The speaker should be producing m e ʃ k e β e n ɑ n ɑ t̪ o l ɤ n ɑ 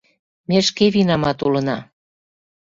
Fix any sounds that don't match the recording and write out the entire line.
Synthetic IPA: m e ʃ k e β i n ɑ m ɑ t̪ u l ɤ n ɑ